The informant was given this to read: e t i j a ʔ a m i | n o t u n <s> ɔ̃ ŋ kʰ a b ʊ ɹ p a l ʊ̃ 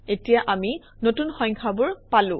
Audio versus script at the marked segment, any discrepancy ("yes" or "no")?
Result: yes